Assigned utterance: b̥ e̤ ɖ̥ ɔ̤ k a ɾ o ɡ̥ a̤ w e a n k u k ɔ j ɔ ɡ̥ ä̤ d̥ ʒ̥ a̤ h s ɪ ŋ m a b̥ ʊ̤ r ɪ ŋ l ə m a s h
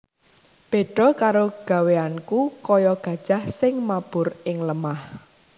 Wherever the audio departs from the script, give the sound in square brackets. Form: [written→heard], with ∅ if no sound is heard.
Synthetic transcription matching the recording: b̥ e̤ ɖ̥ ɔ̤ k a ɾ o ɡ̥ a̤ w e a n k u k ɔ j ɔ ɡ̥ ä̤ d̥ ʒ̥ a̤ h s ɪ ŋ m a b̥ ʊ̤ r ɪ ŋ l ə m a [s→∅] h